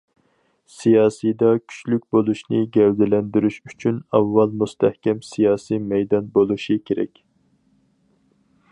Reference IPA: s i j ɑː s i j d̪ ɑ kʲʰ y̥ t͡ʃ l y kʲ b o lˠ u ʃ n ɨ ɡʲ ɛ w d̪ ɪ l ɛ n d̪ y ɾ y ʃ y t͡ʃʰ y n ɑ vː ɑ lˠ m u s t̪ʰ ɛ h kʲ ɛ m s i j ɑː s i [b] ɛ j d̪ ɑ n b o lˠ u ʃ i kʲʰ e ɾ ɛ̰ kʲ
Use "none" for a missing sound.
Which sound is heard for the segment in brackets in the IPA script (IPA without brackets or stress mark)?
m